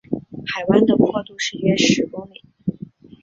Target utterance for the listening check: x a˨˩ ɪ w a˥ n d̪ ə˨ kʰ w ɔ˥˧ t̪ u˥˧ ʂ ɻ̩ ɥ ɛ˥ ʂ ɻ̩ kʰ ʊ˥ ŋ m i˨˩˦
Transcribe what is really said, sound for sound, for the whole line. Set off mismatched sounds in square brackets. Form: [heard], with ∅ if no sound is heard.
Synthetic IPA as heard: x a˨˩ ɪ w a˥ n d̪ ə˨ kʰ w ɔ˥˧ t̪ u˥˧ ʂ ɻ̩ ɥ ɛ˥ ʂ ɻ̩ [k] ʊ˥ ŋ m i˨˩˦